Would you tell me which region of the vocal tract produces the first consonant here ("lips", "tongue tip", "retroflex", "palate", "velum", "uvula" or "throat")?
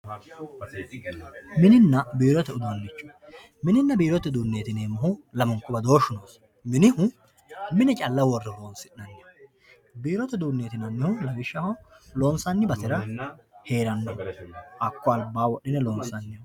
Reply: lips